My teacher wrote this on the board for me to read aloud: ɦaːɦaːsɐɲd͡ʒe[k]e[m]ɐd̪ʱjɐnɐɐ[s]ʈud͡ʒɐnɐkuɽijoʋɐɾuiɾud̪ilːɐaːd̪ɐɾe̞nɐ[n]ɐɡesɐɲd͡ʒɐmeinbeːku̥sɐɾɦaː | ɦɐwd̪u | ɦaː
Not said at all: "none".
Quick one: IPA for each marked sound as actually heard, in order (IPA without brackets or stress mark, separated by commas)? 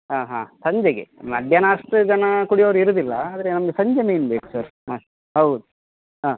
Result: ɡ, m, ʂ, m